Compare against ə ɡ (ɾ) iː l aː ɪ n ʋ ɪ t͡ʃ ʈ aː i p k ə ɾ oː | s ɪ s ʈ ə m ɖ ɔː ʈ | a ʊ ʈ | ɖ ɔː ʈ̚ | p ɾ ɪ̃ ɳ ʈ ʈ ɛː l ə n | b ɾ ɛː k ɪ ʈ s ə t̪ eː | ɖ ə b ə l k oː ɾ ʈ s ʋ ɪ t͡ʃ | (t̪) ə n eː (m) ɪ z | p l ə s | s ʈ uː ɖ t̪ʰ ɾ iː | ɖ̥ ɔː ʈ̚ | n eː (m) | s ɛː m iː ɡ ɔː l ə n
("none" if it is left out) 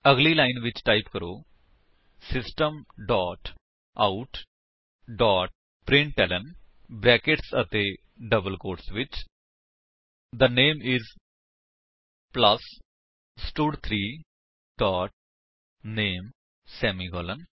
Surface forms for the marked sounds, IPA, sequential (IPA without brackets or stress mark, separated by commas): l, d̪, m, m